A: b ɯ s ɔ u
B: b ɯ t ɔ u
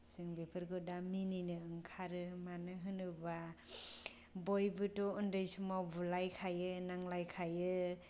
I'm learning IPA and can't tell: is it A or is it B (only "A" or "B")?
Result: B